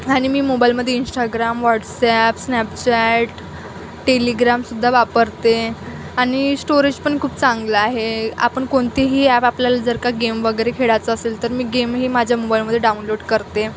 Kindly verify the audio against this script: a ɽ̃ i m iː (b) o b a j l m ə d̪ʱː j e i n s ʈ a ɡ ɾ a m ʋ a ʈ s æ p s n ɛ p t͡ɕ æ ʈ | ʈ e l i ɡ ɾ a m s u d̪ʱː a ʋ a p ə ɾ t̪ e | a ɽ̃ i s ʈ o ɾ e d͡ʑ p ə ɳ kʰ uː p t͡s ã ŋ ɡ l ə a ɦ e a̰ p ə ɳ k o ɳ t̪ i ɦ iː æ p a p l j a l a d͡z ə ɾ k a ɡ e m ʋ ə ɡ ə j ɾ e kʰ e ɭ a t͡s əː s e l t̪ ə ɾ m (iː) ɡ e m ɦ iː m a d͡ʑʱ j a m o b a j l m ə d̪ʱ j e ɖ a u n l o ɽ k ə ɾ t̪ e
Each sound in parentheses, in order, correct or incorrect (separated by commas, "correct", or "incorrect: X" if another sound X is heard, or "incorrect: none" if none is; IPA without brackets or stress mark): incorrect: m, correct